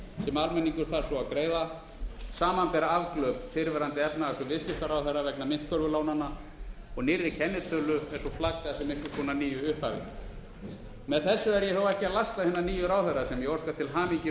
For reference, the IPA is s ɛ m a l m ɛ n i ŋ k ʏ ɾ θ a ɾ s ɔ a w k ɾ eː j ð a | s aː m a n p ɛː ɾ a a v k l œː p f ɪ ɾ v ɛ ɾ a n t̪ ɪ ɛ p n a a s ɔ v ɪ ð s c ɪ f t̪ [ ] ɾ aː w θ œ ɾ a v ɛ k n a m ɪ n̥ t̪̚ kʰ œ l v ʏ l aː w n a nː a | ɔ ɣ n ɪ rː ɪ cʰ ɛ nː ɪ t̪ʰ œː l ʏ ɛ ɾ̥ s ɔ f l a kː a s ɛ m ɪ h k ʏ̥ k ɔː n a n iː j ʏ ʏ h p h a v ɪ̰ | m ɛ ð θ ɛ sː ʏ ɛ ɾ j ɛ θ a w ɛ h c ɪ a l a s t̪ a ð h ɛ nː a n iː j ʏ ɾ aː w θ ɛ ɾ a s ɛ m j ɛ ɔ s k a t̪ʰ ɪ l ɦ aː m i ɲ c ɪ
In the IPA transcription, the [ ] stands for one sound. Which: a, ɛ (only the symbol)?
a